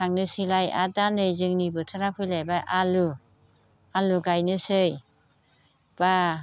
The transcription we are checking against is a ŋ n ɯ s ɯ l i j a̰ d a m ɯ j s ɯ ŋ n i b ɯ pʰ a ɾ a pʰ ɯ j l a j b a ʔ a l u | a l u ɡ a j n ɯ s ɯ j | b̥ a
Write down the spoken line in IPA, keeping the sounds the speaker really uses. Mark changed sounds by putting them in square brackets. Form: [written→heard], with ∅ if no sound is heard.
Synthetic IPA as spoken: a ŋ n ɯ s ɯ l [i→a] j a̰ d a [m→n] ɯ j [s→z] ɯ ŋ n i b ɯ [pʰ→tʰ] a ɾ a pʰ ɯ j l a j b a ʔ a l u | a l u ɡ a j n ɯ s ɯ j | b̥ a